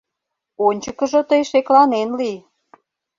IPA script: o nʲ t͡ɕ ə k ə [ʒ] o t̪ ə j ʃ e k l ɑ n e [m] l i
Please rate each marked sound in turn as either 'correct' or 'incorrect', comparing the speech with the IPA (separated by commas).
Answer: correct, incorrect